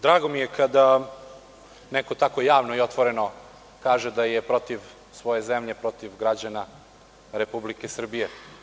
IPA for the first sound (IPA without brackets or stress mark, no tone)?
d̪